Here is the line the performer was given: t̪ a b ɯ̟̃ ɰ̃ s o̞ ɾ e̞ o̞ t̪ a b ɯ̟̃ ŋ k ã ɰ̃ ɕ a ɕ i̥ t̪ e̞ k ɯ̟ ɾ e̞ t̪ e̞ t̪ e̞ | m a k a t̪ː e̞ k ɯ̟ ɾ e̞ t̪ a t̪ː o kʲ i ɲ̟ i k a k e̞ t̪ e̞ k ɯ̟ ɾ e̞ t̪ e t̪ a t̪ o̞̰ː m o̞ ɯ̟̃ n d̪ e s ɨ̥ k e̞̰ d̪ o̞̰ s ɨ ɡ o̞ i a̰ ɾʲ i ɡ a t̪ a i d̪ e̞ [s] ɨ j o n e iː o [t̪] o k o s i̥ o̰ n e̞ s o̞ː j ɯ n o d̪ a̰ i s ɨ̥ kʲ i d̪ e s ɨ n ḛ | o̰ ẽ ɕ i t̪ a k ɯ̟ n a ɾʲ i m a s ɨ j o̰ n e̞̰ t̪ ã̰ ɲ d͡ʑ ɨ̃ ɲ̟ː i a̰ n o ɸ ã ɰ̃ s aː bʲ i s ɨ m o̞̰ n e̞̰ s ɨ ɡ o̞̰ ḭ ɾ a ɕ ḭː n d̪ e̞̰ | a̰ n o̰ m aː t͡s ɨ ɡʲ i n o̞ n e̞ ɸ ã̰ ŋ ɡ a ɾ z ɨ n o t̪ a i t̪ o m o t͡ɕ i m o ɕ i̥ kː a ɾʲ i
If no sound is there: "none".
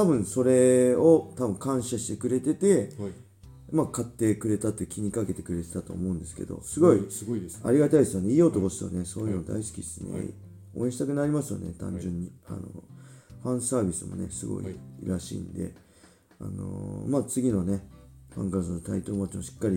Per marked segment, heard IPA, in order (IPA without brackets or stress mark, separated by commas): s, t̪